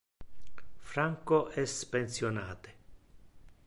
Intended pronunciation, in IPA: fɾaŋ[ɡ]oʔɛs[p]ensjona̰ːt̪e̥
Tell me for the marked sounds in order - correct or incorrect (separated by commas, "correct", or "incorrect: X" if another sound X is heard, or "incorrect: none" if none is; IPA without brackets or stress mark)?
incorrect: k, correct